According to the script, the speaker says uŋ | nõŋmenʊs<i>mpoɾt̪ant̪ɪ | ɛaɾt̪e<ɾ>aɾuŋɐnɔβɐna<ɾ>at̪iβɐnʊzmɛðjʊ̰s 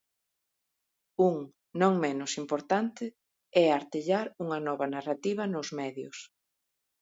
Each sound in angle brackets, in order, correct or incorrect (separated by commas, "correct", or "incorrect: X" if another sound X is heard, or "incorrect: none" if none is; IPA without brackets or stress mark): correct, incorrect: ʎ, incorrect: r